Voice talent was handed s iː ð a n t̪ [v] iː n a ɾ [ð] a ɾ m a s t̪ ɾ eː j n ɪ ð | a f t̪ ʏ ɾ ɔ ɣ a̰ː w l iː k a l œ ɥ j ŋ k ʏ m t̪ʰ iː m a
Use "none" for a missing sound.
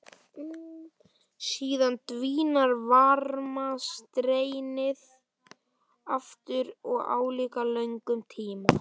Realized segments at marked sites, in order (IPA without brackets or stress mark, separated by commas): v, v